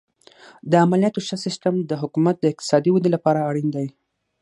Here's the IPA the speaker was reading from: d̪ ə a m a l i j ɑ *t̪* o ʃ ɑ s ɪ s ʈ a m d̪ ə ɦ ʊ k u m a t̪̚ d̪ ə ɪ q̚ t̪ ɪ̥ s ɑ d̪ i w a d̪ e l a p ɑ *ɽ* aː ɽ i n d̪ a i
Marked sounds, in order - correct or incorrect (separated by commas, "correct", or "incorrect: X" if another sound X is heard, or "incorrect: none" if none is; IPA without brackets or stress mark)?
correct, incorrect: ɾ